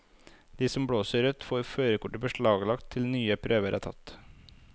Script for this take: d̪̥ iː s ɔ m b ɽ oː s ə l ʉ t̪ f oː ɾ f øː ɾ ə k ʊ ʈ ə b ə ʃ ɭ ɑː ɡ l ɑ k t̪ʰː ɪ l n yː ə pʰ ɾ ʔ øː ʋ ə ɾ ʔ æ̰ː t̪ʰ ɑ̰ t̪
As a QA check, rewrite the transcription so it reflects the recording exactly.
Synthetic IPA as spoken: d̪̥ iː s ɔ m b ɽ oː s ə ɾ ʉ t̪ f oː ɾ f øː ɾ ə k ʊ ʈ ə b ə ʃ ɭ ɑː ɡ l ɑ k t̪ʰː ɪ l n yː ə pʰ ɾ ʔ øː ʋ ə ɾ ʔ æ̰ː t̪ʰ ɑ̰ t̪